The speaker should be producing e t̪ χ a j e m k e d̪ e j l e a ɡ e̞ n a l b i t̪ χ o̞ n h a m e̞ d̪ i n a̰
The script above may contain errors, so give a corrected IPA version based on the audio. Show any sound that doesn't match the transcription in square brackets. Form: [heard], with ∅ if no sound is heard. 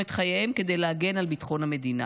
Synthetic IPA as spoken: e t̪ χ a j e m k e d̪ e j l e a ɡ e̞ n a l b i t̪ χ o̞ n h a m e̞ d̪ i n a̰